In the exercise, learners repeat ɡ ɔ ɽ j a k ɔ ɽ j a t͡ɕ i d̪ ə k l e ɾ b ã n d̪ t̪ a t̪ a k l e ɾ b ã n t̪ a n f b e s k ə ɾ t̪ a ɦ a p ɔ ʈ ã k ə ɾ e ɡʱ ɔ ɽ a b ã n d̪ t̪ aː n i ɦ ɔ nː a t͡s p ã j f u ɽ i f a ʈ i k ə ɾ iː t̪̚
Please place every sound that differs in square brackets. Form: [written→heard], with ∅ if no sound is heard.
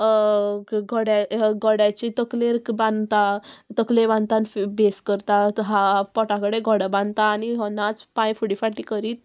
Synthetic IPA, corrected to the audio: ɡ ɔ ɽ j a [k→ɡ] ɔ ɽ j a t͡ɕ i [d̪→t̪] ə k l e ɾ b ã n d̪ t̪ a t̪ [a→ə] k l e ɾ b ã n t̪ a n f b e s k ə ɾ t̪ a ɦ a p ɔ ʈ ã k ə [ɾ→ɽ] e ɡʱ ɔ ɽ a b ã n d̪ t̪ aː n i ɦ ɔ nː a t͡s p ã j f u ɽ i f a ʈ i k ə ɾ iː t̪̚